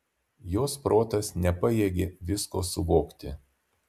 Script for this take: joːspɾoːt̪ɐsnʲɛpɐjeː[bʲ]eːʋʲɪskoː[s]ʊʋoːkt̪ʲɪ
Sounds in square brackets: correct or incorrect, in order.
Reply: incorrect, correct

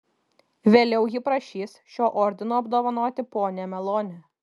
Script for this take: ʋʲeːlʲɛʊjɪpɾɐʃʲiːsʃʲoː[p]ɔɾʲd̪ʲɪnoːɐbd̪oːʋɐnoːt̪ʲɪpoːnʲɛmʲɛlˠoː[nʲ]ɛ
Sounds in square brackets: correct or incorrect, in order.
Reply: incorrect, correct

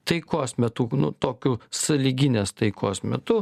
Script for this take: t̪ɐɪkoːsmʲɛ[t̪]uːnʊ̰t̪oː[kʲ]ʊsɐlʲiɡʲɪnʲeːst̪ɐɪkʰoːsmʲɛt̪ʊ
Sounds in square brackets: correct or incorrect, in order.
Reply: correct, correct

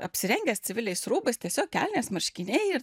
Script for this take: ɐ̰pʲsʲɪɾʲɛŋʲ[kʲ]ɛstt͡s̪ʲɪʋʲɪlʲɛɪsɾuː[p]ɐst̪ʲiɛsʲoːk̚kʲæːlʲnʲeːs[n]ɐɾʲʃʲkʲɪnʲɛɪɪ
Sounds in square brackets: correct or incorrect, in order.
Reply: incorrect, incorrect, incorrect

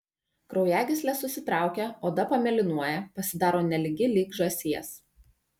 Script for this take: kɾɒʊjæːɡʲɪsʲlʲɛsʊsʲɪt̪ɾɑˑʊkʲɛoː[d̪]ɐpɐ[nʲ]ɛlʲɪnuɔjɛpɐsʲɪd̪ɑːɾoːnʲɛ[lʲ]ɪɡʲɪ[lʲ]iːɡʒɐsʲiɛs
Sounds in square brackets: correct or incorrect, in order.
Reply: correct, incorrect, correct, correct

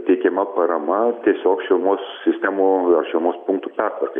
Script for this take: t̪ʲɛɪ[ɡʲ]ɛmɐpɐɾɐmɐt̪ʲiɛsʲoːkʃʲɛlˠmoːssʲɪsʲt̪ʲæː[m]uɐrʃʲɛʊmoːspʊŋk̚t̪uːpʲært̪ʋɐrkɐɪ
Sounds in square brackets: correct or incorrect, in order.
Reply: incorrect, correct

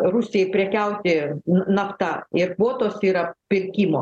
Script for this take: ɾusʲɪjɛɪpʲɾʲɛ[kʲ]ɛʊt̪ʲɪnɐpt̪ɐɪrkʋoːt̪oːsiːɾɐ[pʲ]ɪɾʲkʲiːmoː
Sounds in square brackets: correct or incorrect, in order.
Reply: correct, correct

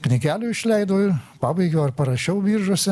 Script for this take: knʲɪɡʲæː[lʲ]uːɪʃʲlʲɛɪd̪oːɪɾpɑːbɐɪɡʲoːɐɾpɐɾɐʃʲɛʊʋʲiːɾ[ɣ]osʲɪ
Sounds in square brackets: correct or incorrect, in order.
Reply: correct, incorrect

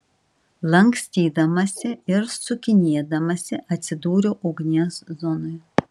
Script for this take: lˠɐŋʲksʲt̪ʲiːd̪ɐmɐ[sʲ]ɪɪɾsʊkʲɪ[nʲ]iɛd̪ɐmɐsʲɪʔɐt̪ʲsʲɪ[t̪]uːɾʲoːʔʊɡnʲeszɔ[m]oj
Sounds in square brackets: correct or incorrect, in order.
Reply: correct, correct, incorrect, incorrect

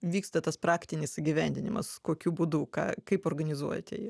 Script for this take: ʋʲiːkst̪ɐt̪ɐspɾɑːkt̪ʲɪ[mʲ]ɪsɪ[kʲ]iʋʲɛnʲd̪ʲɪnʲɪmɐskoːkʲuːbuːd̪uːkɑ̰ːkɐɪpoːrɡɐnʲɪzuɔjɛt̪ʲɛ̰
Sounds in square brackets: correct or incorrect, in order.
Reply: incorrect, incorrect

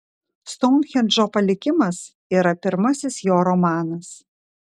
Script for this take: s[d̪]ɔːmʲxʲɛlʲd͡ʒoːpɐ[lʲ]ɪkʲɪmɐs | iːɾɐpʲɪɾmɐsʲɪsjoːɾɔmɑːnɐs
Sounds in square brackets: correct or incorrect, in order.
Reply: incorrect, correct

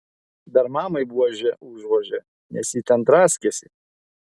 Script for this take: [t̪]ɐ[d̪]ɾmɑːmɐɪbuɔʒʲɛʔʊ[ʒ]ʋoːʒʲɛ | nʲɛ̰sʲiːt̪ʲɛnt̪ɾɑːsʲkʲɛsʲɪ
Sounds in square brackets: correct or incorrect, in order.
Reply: incorrect, incorrect, correct

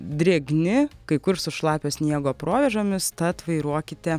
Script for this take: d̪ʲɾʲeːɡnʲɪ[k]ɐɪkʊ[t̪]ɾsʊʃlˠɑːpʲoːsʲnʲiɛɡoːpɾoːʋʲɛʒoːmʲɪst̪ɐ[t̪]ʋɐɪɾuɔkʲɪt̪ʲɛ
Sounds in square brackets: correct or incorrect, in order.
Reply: correct, incorrect, correct

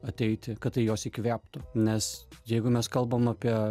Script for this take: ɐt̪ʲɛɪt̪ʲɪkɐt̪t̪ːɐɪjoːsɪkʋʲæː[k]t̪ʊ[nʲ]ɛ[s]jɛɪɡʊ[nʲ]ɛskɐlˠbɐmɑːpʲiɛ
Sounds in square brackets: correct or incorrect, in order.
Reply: incorrect, correct, correct, incorrect

